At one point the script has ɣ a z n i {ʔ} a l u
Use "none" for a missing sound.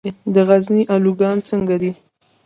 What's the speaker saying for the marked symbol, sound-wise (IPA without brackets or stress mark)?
ʔ